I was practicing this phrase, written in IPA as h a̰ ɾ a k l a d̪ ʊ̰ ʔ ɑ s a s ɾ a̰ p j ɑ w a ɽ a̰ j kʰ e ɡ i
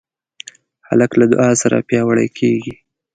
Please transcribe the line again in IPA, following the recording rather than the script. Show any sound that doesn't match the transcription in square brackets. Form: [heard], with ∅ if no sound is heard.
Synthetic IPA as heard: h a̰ [l] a k l a d̪ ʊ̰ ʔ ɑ s a [∅] ɾ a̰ p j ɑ w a ɽ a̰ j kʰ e ɡ i